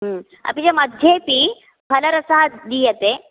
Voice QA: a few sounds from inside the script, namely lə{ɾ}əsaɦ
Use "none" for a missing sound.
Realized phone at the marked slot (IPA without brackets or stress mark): ɾ